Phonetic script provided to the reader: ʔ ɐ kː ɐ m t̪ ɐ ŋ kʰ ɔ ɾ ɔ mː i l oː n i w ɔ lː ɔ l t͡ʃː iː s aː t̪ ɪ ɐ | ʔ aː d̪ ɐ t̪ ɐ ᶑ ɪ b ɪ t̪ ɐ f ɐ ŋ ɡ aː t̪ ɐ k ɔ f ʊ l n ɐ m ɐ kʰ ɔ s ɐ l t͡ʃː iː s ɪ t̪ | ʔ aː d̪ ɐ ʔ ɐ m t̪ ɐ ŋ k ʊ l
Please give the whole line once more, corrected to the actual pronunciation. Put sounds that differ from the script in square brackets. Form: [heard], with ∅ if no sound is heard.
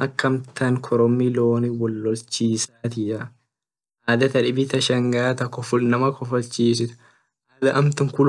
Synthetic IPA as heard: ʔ ɐ kː ɐ m t̪ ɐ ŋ kʰ ɔ ɾ ɔ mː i l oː n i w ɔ lː ɔ l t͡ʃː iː s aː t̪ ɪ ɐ | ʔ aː d̪ ɐ t̪ ɐ ᶑ ɪ b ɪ t̪ ɐ [ʃ] ɐ ŋ ɡ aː t̪ ɐ k ɔ f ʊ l n ɐ m ɐ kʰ ɔ [f] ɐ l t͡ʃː iː s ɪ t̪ | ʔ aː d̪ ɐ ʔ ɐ m t̪ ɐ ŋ k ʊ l